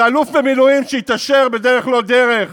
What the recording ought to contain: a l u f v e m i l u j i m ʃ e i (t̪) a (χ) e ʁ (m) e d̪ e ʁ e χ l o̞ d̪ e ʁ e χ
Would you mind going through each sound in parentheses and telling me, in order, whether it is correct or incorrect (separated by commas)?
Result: correct, incorrect, incorrect